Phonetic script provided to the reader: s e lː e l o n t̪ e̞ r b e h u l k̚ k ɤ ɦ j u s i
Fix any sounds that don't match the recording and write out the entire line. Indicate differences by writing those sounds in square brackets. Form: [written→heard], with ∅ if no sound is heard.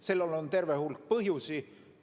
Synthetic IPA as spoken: s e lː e l o n t̪ e̞ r [b→v] e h u l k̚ [k→p] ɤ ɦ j u s i